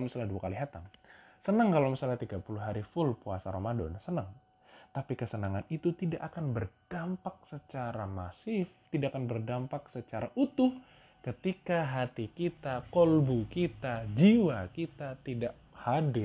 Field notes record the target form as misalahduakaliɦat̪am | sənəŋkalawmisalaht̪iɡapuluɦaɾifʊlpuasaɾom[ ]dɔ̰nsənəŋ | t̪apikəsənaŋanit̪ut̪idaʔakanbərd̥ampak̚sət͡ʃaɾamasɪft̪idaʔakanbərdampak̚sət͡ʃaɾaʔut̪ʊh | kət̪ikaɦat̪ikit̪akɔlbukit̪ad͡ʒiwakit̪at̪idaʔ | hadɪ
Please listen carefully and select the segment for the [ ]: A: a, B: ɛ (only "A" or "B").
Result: A